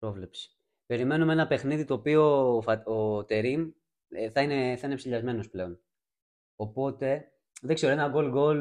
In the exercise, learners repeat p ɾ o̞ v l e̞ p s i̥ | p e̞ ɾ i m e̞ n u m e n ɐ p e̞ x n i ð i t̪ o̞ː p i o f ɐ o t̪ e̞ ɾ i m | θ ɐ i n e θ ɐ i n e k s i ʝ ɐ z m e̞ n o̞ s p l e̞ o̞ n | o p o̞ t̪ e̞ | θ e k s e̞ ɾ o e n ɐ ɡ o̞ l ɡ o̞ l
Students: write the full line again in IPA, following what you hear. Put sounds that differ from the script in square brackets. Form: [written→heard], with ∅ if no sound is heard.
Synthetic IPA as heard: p ɾ o̞ v l e̞ p s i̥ | p e̞ ɾ i m e̞ n u m e n ɐ p e̞ x n i ð i t̪ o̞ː p i o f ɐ o t̪ e̞ ɾ i m | θ ɐ i n e θ ɐ i n e [k→p] s i [ʝ→ʎ] ɐ z m e̞ n o̞ s p l e̞ o̞ n | o p o̞ t̪ e̞ | [θ→ð] e k s e̞ ɾ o e n ɐ ɡ o̞ l ɡ o̞ l